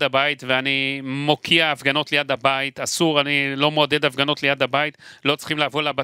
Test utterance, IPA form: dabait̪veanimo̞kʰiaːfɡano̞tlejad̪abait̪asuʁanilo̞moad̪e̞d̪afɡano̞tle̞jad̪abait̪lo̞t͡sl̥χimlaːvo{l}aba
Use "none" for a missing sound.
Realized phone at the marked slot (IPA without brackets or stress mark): l